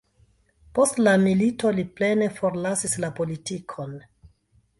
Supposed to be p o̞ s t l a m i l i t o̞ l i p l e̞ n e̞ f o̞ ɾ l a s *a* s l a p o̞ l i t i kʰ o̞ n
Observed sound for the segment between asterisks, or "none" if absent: i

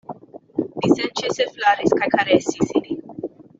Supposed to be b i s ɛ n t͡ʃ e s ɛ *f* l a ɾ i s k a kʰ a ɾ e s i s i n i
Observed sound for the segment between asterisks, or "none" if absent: f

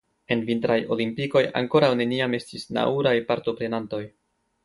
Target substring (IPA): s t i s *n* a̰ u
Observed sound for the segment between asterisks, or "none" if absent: n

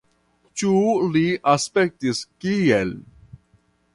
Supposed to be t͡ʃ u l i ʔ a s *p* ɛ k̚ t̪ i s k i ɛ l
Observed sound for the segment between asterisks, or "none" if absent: p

